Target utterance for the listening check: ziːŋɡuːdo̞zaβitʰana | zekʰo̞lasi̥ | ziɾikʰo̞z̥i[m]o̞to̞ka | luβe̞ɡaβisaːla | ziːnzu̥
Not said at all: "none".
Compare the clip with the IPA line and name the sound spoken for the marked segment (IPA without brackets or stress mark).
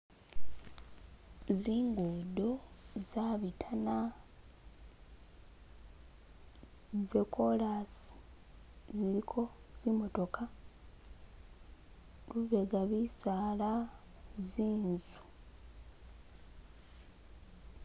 m